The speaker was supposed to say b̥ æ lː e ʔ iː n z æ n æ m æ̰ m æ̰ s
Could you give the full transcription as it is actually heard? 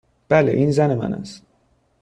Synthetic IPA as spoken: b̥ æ l e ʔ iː n z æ n e m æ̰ n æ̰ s

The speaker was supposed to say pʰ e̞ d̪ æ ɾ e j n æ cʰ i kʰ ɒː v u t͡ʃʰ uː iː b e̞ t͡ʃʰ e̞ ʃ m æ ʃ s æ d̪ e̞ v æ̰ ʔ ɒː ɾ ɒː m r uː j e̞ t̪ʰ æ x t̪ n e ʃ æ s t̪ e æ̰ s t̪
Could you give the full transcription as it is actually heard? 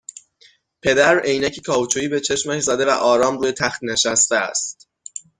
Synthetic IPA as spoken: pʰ e̞ d̪ æ ɾ e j n æ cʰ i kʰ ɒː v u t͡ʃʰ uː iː b e̞ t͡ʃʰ e̞ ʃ m æ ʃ z æ d̪ e̞ v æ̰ ʔ ɒː ɾ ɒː m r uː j e̞ t̪ʰ æ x t̪ n e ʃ æ s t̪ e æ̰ s t̪

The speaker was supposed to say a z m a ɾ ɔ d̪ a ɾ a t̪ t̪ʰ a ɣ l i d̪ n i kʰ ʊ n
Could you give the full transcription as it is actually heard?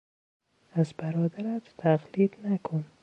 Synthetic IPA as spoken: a z b a ɾ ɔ d̪ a ɾ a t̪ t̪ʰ a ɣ l i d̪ n a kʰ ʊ n

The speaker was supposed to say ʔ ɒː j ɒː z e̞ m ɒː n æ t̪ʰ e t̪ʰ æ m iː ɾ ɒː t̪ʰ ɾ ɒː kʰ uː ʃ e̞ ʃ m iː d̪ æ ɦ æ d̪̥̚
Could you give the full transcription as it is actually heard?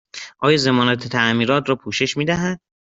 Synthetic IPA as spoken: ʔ ɒː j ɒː z e̞ m ɒː n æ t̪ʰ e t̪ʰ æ m iː ɾ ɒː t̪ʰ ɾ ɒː pʰ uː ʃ e̞ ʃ m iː d̪ æ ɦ æ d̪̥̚

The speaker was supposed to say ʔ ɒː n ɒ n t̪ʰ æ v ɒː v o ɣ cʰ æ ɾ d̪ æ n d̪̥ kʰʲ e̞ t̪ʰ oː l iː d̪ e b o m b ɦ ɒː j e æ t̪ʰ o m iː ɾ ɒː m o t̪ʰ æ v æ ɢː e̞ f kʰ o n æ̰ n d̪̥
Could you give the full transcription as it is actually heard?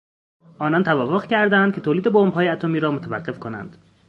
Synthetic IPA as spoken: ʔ ɒː n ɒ n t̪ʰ æ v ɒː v o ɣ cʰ æ ɾ d̪ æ n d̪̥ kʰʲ e̞ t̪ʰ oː l iː d̪ e b o m b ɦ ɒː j e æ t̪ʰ o m iː ɾ ɒː m o t̪ʰ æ v æ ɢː e̞ f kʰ o n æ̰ n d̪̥

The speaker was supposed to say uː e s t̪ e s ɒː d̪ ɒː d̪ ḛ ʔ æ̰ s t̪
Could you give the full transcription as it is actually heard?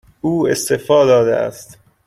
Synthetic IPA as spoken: uː e s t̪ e f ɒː d̪ ɒː d̪ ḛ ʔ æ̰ s t̪

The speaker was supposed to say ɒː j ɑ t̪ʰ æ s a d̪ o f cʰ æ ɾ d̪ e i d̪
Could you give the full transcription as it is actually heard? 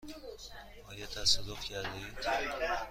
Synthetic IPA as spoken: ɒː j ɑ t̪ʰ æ s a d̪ o f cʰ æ ɾ d̪ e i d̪

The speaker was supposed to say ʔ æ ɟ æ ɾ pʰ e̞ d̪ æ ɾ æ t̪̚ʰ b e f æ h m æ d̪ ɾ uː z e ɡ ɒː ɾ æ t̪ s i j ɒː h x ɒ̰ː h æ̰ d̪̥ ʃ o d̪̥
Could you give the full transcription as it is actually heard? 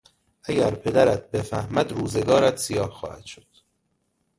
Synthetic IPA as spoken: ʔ æ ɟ æ ɾ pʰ e̞ d̪ æ ɾ æ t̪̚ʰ b e f æ h m æ d̪ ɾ uː z e ɡ ɒː ɾ æ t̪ s i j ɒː h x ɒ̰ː h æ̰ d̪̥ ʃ o d̪̥

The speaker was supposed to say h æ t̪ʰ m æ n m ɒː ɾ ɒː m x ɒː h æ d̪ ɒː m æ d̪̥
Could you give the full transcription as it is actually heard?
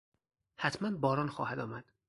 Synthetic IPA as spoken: h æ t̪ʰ m æ n b ɒː ɾ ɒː n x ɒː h æ d̪ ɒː m æ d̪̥

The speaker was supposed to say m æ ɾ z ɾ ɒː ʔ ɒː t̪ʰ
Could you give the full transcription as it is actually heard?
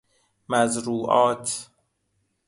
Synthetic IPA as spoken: m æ z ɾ uː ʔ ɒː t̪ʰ

